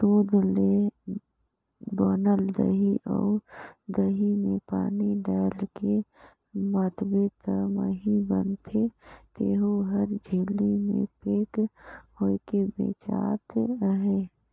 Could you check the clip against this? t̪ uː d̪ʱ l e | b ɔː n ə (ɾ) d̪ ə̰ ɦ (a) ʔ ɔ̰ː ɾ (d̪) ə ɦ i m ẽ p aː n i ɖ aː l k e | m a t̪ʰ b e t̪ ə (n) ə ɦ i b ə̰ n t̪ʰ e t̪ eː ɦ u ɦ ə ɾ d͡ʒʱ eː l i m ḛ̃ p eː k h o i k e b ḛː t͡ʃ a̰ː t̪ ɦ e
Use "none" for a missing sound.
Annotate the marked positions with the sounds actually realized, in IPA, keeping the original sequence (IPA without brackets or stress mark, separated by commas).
l, i, d̪, m